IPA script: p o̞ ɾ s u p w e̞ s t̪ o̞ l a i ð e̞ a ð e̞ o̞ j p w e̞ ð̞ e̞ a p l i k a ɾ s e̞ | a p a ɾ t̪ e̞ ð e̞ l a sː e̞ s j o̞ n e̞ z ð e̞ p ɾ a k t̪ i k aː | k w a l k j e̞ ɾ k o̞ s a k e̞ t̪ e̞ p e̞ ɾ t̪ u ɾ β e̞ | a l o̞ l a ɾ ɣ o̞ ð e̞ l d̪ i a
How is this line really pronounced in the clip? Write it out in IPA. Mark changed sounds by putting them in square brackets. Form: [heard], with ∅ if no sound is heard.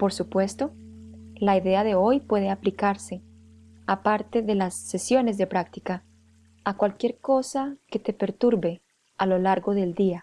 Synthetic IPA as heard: p o̞ ɾ s u p w e̞ s t̪ o̞ l a i ð e̞ a ð e̞ o̞ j p w e̞ ð̞ e̞ a p l i k a ɾ s e̞ | a p a ɾ t̪ e̞ ð e̞ l a sː e̞ s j o̞ n e̞ z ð e̞ p ɾ a k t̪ i k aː | k w a l k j e̞ ɾ k o̞ s a k e̞ t̪ e̞ p e̞ ɾ t̪ u ɾ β e̞ | a l o̞ l a ɾ ɣ o̞ ð e̞ l d̪ i a